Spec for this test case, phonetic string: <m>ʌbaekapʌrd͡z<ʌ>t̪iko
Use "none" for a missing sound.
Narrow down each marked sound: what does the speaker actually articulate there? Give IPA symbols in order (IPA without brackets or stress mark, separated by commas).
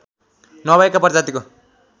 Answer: n, a